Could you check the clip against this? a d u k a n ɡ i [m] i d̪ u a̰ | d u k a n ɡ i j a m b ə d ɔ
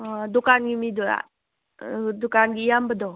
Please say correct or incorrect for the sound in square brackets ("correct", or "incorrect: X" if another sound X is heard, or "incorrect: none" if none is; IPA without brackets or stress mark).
correct